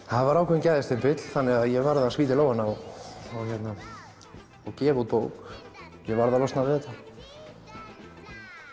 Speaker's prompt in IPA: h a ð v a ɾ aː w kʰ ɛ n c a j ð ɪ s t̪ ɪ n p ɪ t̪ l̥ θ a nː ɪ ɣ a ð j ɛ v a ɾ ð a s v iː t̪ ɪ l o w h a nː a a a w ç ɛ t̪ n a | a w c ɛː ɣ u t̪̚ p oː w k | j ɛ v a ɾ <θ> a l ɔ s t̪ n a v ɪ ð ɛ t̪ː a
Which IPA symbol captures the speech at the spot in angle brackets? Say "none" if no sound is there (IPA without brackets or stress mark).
ð